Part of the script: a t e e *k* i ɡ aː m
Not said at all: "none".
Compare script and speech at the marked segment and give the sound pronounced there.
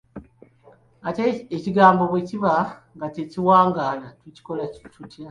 c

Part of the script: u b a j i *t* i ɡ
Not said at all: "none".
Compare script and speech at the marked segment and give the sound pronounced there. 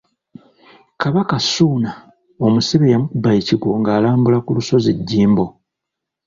c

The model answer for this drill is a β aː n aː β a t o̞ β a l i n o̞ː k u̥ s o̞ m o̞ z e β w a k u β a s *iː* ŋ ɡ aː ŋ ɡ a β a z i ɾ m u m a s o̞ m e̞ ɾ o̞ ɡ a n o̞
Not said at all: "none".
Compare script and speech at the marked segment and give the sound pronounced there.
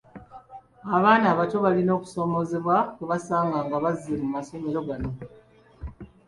aː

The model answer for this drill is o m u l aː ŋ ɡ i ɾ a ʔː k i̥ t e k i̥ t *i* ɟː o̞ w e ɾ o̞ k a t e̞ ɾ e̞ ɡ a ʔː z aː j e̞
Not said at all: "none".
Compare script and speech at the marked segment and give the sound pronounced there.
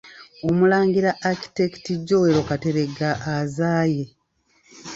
i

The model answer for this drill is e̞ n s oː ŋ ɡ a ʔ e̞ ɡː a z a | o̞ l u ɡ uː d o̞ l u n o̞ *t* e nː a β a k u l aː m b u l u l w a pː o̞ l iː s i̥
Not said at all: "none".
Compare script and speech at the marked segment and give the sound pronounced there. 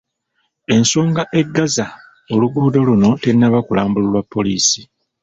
t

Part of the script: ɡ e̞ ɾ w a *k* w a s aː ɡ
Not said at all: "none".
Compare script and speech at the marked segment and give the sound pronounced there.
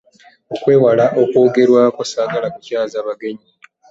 k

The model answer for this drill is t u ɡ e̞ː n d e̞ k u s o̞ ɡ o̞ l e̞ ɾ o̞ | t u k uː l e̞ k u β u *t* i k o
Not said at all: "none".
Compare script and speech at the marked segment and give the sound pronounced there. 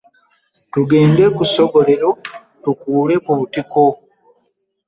t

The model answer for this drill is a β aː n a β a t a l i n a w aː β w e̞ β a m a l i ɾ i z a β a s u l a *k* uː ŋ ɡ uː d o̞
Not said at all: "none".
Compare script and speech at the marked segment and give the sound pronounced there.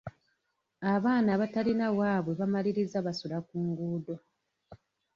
k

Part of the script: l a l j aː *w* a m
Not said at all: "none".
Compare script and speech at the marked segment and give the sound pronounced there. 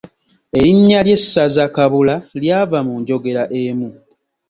v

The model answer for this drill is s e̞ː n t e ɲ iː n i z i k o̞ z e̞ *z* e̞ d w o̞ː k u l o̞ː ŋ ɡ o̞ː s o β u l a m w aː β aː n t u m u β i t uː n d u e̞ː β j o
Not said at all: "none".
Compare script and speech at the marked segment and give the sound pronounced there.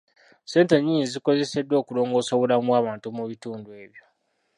s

